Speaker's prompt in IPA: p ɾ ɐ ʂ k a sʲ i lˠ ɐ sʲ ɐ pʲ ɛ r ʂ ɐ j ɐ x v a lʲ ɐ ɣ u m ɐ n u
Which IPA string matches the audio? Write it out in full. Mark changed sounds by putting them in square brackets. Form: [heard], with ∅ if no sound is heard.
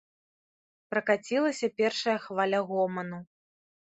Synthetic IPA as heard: p ɾ ɐ [∅] k a [t͡sʲ] i lˠ ɐ sʲ ɐ pʲ ɛ r ʂ ɐ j ɐ x v a lʲ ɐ ɣ [ɔ] m ɐ n u